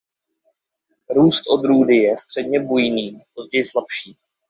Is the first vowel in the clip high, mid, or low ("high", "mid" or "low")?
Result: high